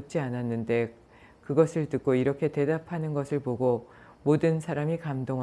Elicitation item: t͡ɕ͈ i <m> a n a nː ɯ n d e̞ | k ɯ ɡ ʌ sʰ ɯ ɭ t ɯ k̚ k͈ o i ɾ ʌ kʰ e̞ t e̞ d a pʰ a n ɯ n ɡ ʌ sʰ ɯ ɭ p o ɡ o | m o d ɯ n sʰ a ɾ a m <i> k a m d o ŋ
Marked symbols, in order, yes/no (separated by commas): no, yes